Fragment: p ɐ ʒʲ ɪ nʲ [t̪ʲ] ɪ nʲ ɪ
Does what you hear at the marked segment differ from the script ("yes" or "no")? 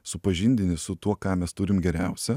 yes